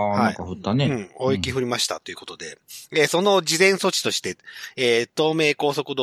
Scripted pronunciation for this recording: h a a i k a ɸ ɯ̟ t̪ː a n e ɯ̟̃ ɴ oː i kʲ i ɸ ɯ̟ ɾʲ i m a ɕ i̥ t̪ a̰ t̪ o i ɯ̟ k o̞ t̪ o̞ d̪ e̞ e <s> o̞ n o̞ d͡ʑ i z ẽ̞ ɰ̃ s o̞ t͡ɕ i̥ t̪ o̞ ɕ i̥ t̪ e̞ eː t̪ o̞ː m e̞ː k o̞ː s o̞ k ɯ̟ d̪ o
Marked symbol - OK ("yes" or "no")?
yes